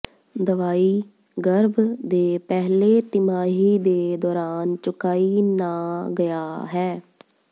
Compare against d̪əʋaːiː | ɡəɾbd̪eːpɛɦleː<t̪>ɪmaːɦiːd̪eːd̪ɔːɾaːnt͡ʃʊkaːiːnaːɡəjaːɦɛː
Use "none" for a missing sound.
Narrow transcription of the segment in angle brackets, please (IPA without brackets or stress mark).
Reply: t̪